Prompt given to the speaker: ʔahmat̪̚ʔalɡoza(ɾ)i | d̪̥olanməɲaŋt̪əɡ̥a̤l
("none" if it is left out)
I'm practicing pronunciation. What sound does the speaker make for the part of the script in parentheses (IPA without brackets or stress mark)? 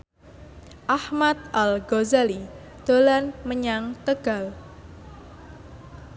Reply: l